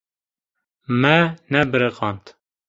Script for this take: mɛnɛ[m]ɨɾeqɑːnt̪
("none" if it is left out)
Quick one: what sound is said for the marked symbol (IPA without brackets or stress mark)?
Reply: b